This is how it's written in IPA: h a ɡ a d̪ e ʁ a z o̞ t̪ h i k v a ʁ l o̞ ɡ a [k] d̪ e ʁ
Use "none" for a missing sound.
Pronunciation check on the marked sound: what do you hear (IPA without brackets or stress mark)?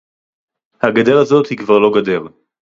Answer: none